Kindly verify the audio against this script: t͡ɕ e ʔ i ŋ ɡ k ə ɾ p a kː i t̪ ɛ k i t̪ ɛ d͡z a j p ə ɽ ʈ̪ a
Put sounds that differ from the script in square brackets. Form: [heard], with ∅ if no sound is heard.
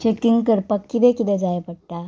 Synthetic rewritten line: t͡ɕ e [k] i ŋ ɡ k ə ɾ p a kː i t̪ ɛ k i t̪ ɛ d͡z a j p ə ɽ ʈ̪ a

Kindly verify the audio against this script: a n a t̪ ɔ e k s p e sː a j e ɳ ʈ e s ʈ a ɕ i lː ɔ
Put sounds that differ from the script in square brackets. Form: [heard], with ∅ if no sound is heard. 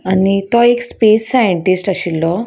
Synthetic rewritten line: a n [i] t̪ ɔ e k s p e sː a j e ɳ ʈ [i] s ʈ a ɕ i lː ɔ

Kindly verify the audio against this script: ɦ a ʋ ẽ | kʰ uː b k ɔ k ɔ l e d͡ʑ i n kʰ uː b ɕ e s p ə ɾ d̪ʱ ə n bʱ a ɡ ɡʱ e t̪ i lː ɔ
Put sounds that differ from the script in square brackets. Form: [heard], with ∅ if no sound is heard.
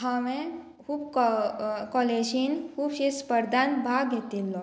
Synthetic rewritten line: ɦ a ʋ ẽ | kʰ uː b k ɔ k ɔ l e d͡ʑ i n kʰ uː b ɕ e s p ə ɾ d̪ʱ [a] n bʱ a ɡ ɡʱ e t̪ i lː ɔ

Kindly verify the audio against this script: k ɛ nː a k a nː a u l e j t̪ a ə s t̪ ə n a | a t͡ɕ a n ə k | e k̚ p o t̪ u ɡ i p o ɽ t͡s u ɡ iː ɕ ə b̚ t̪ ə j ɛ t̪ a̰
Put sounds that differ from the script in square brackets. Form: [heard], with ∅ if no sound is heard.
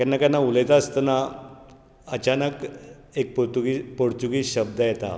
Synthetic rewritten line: k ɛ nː a k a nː a u l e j t̪ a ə s t̪ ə n a | [ə] t͡ɕ a n ə k | e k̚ p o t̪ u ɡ i p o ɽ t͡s u ɡ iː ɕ ə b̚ [d̪] ə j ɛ t̪ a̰

